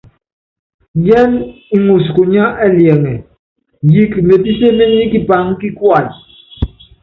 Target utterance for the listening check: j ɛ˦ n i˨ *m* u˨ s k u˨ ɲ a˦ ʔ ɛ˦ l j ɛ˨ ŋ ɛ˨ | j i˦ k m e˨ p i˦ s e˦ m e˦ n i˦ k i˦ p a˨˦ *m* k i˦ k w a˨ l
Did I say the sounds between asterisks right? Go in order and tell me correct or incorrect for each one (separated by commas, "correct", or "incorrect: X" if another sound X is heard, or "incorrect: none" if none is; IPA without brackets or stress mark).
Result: incorrect: ŋ, incorrect: ŋ